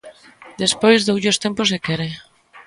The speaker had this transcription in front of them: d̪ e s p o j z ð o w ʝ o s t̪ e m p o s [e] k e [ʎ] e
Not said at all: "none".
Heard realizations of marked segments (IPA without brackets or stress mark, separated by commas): e, ɾ